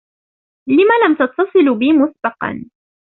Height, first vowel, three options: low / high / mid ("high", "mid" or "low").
high